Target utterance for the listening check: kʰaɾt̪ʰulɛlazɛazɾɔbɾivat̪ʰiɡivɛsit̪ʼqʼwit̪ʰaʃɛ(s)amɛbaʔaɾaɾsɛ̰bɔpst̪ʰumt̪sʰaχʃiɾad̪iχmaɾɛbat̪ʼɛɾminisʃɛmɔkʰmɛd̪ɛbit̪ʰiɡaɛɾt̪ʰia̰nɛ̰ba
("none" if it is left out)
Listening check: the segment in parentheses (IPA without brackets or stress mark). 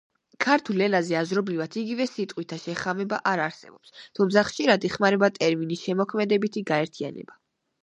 χ